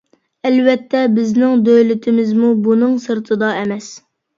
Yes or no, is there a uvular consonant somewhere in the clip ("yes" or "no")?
no